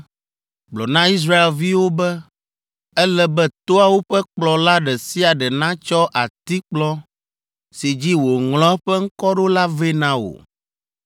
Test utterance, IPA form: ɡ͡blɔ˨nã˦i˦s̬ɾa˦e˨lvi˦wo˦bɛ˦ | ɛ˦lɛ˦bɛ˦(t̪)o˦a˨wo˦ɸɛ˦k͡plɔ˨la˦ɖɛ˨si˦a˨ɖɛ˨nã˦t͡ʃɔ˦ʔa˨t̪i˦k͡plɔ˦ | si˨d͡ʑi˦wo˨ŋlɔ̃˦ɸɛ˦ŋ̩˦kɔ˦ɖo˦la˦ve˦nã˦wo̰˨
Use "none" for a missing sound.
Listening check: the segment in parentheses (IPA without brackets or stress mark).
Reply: t̪